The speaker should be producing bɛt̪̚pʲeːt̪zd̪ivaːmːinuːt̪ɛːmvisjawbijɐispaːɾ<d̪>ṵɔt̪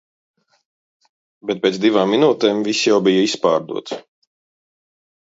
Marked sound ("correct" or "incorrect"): correct